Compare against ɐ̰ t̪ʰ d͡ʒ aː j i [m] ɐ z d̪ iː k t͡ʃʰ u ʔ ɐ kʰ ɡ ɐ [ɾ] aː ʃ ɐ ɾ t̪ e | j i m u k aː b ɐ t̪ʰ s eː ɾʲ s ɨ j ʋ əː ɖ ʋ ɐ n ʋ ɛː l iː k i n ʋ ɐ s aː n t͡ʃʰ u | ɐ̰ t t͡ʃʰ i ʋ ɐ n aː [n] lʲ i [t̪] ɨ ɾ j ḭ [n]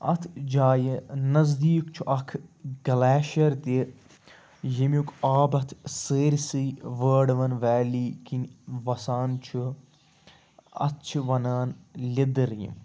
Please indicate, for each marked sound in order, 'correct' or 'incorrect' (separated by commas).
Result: incorrect, incorrect, correct, incorrect, incorrect